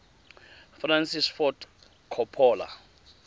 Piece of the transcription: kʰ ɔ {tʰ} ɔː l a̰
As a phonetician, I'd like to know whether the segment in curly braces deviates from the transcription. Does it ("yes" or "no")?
yes